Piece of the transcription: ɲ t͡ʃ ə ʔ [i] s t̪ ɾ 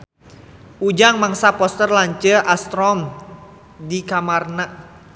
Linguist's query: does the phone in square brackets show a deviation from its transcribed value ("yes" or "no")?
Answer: yes